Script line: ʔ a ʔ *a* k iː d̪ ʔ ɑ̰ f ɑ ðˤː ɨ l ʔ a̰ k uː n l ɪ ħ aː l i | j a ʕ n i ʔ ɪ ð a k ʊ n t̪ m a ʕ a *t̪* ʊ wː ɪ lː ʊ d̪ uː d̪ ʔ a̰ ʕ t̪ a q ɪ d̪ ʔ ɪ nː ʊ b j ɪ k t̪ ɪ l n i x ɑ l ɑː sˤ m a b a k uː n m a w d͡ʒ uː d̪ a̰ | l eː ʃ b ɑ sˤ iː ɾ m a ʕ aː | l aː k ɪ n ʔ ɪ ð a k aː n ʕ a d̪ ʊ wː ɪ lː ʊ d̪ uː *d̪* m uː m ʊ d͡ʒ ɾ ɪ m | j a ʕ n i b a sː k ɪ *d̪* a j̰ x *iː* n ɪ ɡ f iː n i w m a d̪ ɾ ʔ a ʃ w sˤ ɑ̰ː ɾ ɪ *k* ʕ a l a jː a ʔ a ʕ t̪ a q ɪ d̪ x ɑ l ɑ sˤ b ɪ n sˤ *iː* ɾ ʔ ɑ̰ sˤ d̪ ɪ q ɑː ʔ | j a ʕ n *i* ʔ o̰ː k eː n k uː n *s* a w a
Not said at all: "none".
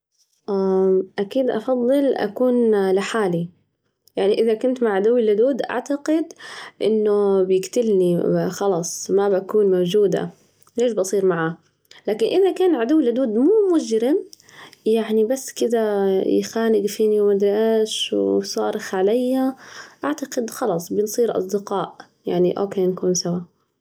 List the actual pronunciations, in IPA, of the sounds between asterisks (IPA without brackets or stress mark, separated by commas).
a, d̪, d̪, d̪, aː, x, iː, i, s